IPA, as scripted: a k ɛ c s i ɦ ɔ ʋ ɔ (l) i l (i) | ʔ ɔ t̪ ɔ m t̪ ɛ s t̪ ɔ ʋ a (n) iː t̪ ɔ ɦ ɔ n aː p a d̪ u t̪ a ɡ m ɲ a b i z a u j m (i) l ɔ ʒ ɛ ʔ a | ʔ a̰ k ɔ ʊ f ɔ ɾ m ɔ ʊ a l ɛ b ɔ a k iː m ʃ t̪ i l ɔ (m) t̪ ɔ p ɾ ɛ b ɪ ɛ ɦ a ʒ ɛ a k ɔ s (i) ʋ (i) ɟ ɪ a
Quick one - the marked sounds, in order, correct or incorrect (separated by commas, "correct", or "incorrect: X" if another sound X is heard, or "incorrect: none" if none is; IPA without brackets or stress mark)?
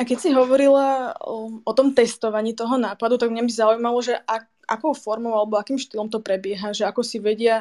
incorrect: ɾ, incorrect: a, incorrect: ɲ, incorrect: a, correct, correct, incorrect: ɛ